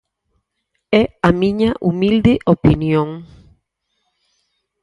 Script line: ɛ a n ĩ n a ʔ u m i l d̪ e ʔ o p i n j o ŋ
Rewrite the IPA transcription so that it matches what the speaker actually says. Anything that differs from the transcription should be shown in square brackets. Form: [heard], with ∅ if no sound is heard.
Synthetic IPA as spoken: ɛ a [m] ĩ [ɲ] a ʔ u m i l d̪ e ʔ o p i n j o ŋ